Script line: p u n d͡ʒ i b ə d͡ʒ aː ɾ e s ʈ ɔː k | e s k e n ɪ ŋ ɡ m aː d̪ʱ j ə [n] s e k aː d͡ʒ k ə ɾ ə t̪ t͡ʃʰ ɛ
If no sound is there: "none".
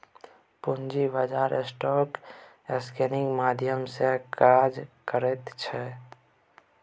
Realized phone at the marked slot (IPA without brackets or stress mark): m